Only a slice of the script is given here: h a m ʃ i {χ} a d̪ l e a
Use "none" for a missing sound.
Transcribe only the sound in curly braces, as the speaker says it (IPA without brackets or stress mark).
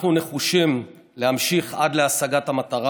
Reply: χ